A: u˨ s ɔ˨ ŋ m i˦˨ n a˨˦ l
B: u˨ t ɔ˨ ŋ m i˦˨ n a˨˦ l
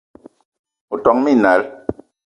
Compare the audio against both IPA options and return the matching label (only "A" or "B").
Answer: B